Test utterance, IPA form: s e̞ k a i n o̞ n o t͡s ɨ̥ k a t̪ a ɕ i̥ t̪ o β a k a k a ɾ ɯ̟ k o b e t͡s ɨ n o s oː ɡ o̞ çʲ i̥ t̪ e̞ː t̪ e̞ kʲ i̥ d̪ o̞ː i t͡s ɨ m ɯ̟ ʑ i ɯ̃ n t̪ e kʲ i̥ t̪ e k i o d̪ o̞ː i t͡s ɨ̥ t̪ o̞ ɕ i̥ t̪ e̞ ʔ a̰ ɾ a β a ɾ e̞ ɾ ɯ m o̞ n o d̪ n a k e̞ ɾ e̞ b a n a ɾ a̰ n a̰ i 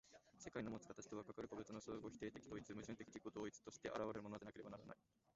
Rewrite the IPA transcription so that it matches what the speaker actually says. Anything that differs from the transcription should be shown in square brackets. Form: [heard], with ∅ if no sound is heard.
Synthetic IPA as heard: s e̞ k a i n o̞ [m] o t͡s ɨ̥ k a t̪ a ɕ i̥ t̪ o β a k a k a ɾ ɯ̟ k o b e t͡s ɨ n o s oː ɡ o̞ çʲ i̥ t̪ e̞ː t̪ e̞ kʲ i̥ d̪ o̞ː i t͡s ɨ m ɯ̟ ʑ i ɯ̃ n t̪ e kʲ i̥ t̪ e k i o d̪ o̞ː i t͡s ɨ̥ t̪ o̞ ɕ i̥ t̪ e̞ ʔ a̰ ɾ a β a ɾ e̞ ɾ ɯ m o̞ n o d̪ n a k e̞ ɾ e̞ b a n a ɾ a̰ n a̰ i